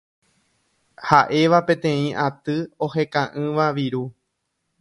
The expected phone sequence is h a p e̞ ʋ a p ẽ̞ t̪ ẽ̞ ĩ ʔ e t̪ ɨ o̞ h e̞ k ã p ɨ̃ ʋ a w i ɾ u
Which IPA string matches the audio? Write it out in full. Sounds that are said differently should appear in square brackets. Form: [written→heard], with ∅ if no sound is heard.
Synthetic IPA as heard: h a [p→ʔ] e̞ ʋ a p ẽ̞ t̪ ẽ̞ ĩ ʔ [e→a] t̪ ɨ o̞ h e̞ k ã [p→ʔ] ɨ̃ ʋ a [w→ʋ] i ɾ u